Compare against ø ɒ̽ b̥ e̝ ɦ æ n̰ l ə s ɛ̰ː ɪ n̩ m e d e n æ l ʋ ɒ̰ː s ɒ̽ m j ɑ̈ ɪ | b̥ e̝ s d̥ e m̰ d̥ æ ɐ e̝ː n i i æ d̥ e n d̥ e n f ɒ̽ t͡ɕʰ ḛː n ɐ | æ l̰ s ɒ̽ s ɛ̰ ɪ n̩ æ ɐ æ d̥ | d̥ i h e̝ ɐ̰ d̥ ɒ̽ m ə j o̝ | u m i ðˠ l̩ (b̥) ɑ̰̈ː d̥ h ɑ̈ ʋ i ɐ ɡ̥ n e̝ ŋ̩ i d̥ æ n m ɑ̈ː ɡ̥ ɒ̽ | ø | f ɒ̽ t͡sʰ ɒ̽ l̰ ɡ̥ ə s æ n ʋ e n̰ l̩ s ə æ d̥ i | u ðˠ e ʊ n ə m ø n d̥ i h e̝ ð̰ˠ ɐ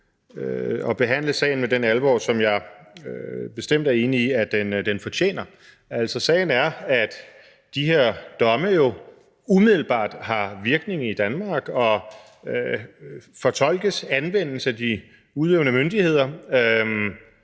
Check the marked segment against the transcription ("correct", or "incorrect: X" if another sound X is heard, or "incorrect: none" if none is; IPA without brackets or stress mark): correct